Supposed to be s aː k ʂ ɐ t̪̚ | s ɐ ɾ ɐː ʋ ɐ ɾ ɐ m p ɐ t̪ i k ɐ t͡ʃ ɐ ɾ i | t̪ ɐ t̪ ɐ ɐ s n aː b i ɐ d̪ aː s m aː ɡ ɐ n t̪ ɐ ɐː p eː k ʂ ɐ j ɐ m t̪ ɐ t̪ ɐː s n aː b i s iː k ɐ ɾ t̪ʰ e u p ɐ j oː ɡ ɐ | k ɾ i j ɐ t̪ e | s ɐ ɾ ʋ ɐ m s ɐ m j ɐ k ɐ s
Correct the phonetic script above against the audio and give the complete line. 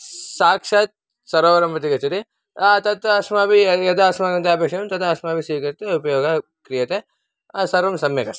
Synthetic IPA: s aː k ʂ ɐ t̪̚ | s ɐ ɾ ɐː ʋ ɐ ɾ ɐ m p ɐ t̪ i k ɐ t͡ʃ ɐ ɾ i | t̪ ɐ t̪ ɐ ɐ s m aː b i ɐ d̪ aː s m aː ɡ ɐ n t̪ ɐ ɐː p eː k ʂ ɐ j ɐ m t̪ ɐ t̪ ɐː s m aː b i s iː k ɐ ɾ t̪ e u p ɐ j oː ɡ ɐ | k ɾ i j ɐ t̪ e | s ɐ ɾ ʋ ɐ m s ɐ m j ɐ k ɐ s

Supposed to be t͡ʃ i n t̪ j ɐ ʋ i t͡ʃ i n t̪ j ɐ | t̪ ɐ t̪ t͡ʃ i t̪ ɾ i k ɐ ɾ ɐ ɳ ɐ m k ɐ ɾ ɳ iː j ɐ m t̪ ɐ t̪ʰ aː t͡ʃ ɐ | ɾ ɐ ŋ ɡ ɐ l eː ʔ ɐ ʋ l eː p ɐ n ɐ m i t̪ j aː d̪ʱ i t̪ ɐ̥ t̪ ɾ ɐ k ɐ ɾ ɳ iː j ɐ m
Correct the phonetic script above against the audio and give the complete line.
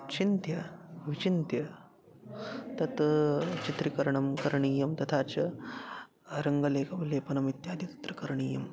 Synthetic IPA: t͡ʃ i n t̪ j ɐ ʋ i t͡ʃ i n t̪ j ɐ | t̪ ɐ t̪ t͡ʃ i t̪ ɾ i k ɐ ɾ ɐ ɳ ɐ m k ɐ ɾ ɳ iː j ɐ m t̪ ɐ t̪ʰ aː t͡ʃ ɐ | ɾ ɐ ŋ ɡ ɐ l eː k ɐ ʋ l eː p ɐ n ɐ m i t̪ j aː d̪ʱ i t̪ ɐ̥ t̪ ɾ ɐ k ɐ ɾ ɳ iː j ɐ m

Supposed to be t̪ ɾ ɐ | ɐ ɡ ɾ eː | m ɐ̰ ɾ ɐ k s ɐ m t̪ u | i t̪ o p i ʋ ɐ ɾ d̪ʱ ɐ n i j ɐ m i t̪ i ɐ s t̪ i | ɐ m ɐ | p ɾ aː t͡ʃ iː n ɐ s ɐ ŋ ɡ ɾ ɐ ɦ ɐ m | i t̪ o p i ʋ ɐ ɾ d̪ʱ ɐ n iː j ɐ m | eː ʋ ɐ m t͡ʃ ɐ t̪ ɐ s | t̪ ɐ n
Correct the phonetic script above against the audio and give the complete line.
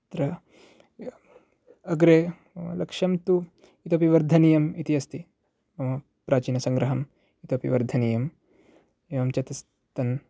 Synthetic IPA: t̪ ɾ ɐ | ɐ ɡ ɾ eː | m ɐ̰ l ɐ k ʂ ɐ m t̪ u | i t̪ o p i ʋ ɐ ɾ d̪ʱ ɐ n i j ɐ m i t̪ i ɐ s t̪ i | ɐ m ɐ | p ɾ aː t͡ʃ iː n ɐ s ɐ ŋ ɡ ɾ ɐ ɦ ɐ m | i t̪ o p i ʋ ɐ ɾ d̪ʱ ɐ n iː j ɐ m | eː ʋ ɐ m t͡ʃ ɐ t̪ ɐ s | t̪ ɐ n

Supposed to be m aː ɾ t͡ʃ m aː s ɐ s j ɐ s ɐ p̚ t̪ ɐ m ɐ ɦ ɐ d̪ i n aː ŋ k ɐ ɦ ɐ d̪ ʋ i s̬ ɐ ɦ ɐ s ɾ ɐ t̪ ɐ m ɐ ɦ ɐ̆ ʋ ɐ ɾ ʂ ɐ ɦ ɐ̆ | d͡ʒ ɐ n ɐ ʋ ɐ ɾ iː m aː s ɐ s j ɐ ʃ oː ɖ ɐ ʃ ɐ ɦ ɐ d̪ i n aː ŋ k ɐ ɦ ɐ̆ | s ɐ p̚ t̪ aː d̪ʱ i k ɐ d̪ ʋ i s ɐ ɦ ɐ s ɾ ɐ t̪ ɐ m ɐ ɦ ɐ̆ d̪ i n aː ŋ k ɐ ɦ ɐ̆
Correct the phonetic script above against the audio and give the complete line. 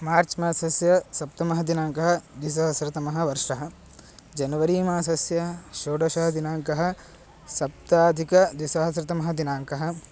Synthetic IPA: m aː ɾ t͡ʃ m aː s ɐ s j ɐ s ɐ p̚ t̪ ɐ m ɐ ɦ ɐ d̪ i n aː ŋ k ɐ ɦ ɐ d̪ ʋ i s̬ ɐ ɦ ɐ s ɾ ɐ t̪ ɐ m ɐ ɦ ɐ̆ ʋ ɐ ɾ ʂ ɐ ɦ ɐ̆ | d͡ʒ ɐ n ɐ ʋ ɐ ɾ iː m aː s ɐ s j ɐ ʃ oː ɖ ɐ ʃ ɐ ɦ ɐ d̪ i n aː ŋ k ɐ ɦ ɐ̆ | s ɐ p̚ t̪ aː d̪ʱ i k ɐ d̪ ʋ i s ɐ ɦ ɐ s ɾ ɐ t̪ ɐ m ɐ ɦ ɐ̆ d̪ i n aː ŋ k ɐ ɦ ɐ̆

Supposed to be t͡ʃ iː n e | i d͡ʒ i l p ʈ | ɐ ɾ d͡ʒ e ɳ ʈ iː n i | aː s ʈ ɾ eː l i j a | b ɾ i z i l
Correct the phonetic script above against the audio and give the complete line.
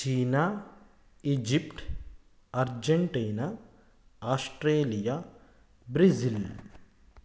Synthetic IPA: t͡ʃ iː n a | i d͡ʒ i p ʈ | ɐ ɾ d͡ʒ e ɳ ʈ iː n a | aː s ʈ ɾ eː l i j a | b ɾ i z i l

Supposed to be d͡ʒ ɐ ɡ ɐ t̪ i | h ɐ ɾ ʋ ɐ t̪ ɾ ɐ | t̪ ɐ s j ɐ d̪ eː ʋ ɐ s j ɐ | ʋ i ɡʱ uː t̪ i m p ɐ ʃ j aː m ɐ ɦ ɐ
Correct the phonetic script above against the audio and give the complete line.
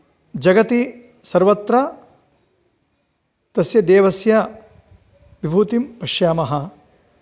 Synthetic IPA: d͡ʒ ɐ ɡ ɐ t̪ i | s ɐ ɾ ʋ ɐ t̪ ɾ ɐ | t̪ ɐ s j ɐ d̪ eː ʋ ɐ s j ɐ | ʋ i bʱ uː t̪ i m p ɐ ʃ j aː m ɐ ɦ ɐ

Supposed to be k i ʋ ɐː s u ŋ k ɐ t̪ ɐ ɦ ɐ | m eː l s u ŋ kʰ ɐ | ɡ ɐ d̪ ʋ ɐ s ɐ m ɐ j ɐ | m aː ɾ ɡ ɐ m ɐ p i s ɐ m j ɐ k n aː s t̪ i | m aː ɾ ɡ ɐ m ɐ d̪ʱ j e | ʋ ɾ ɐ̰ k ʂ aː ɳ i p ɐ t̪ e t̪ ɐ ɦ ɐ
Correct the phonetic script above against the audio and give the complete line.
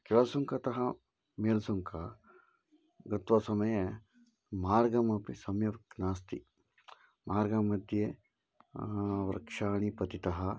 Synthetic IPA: k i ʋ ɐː s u ŋ k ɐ t̪ ɐ ɦ ɐ | m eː l s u ŋ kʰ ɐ | ɡ ɐ t̪ ʋ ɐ s ɐ m ɐ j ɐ | m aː ɾ ɡ ɐ m ɐ p i s ɐ m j ɐ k n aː s t̪ i | m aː ɾ ɡ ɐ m ɐ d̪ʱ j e | ʋ ɾ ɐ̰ k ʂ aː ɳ i p ɐ t̪ i t̪ ɐ ɦ ɐ

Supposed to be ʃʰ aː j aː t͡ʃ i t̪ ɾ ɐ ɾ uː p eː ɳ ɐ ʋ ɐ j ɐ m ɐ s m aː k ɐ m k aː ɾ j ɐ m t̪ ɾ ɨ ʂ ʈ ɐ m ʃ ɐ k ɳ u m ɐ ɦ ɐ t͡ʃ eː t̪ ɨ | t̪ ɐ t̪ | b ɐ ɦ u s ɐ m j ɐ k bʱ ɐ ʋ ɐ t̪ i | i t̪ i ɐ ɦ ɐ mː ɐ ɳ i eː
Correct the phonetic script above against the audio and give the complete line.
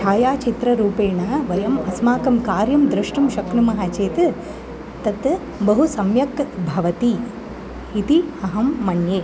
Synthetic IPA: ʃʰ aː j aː t͡ʃ i t̪ ɾ ɐ ɾ uː p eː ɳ ɐ ʋ ɐ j ɐ m ɐ s m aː k ɐ m k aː ɾ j ɐ m d̪ ɾ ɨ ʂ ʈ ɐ m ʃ ɐ k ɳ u m ɐ ɦ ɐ t͡ʃ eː t̪ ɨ | t̪ ɐ t̪ | b ɐ ɦ u s ɐ m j ɐ k bʱ ɐ ʋ ɐ t̪ i | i t̪ i ɐ ɦ ɐ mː ɐ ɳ j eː

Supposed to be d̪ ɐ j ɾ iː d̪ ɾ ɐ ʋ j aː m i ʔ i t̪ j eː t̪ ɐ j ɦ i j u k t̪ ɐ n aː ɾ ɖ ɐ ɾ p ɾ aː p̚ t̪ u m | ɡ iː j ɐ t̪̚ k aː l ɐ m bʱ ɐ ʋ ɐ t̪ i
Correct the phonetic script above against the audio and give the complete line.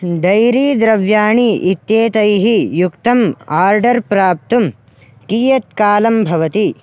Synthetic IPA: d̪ ɐ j ɾ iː d̪ ɾ ɐ ʋ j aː ɳ i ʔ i t̪ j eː t̪ ɐ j ɦ i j u k t̪ ɐ m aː ɾ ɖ ɐ ɾ p ɾ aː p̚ t̪ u m | k iː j ɐ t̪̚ k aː l ɐ m bʱ ɐ ʋ ɐ t̪ i

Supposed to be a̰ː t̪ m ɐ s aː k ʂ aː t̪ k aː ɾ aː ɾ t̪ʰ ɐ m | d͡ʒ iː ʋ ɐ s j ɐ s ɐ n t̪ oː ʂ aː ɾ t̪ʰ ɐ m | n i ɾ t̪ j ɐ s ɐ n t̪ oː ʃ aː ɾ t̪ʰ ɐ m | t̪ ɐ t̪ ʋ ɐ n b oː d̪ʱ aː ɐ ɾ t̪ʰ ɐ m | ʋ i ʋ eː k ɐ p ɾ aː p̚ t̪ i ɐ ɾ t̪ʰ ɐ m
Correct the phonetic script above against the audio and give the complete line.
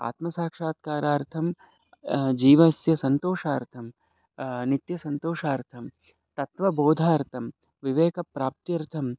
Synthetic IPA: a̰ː t̪ m ɐ s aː k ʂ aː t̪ k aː ɾ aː ɾ t̪ʰ ɐ m | d͡ʒ iː ʋ ɐ s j ɐ s ɐ n t̪ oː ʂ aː ɾ t̪ʰ ɐ m | n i t̪ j ɐ s ɐ n t̪ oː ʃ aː ɾ t̪ʰ ɐ m | t̪ ɐ t̪ ʋ ɐ b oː d̪ʱ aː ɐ ɾ t̪ʰ ɐ m | ʋ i ʋ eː k ɐ p ɾ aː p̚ t̪ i ɐ ɾ t̪ʰ ɐ m

